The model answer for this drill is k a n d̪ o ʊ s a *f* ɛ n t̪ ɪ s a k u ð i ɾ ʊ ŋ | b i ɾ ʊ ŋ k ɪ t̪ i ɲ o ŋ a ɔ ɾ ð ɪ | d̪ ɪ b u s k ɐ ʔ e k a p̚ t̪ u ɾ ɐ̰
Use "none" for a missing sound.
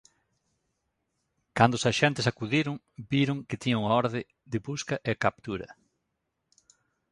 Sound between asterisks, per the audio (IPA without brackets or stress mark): ʃ